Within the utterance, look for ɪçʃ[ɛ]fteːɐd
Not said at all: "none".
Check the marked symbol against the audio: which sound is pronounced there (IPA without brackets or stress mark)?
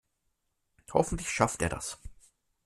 a